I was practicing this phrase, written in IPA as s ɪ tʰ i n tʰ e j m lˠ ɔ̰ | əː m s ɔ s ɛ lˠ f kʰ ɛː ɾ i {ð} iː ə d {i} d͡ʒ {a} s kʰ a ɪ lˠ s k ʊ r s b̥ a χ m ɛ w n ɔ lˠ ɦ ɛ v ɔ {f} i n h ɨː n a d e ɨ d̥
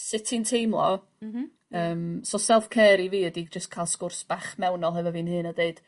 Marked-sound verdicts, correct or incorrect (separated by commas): incorrect, correct, incorrect, incorrect